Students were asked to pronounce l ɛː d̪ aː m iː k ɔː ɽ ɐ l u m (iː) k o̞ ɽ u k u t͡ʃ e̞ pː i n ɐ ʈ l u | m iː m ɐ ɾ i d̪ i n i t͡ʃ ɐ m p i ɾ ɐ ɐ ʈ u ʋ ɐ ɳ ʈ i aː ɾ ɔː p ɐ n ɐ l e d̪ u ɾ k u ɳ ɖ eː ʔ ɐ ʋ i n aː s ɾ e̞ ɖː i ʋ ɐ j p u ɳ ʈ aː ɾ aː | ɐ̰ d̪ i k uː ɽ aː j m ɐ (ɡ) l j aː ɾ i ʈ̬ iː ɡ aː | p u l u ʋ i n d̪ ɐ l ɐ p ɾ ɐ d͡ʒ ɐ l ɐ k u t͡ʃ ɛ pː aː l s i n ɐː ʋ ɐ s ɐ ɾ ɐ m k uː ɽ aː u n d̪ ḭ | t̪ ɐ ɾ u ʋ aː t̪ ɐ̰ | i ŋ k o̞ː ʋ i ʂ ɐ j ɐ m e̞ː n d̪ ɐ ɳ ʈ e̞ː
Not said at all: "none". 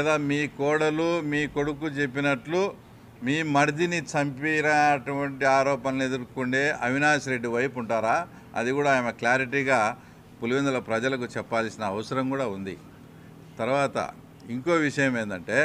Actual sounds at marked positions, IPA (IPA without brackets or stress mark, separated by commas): iː, k